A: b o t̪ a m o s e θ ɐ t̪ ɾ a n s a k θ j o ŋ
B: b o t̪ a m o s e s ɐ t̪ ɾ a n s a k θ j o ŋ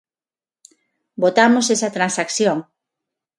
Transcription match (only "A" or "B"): B